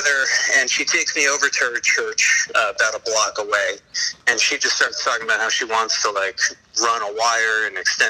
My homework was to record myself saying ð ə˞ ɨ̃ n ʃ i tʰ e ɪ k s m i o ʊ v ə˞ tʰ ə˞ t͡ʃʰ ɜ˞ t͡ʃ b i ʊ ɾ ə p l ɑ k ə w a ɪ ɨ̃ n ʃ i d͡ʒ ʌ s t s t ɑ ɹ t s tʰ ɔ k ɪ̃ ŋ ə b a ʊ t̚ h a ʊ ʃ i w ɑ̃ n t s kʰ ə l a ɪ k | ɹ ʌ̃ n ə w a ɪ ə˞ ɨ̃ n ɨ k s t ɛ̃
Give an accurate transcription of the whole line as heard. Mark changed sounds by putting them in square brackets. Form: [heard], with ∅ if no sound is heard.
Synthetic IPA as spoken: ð ə˞ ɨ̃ n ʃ i tʰ e ɪ k s m i o ʊ v ə˞ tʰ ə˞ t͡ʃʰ ɜ˞ t͡ʃ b [a] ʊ ɾ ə [b] l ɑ k ə w [e] ɪ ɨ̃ n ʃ i d͡ʒ ʌ s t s t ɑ ɹ t s tʰ ɔ k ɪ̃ ŋ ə b a ʊ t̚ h a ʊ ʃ i w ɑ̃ n t s [tʰ] ə l a ɪ k | ɹ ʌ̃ n ə w a ɪ ə˞ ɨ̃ n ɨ k s t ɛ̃